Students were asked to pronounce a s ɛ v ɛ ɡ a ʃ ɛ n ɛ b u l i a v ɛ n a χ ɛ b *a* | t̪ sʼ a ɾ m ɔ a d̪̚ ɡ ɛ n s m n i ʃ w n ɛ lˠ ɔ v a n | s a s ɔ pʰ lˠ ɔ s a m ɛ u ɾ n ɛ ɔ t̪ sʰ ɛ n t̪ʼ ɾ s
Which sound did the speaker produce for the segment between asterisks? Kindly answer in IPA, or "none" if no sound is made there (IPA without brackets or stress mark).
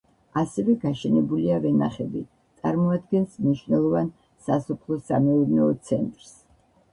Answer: i